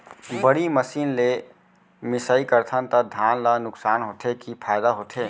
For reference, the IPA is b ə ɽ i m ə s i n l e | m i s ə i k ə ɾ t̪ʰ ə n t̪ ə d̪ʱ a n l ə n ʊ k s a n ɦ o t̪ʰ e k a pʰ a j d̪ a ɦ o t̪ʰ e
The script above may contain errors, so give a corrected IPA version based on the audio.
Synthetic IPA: b ə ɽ i m ə s i n l e | m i s ə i k ə ɾ t̪ʰ ə n t̪ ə d̪ʱ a n l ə n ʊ k s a n ɦ o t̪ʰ e k i pʰ a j d̪ a ɦ o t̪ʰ e